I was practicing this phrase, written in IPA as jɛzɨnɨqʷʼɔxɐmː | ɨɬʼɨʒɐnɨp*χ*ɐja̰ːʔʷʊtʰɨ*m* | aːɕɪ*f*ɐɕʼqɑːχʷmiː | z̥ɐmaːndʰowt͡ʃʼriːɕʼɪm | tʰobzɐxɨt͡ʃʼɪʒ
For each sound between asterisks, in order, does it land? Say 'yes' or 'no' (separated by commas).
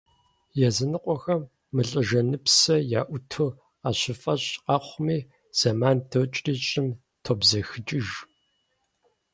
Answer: no, no, yes